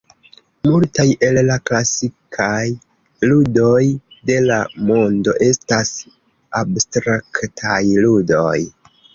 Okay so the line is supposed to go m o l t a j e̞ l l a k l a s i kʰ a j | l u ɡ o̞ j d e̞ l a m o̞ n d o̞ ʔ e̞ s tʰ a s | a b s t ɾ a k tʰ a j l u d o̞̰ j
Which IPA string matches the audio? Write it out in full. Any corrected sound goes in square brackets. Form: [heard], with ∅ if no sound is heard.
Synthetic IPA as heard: m [u] l t a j e̞ l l a k l a s i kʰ a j | l u [d] o̞ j d e̞ l a m o̞ n d o̞ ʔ e̞ s [t] a s | a b s t ɾ a k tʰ a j l u d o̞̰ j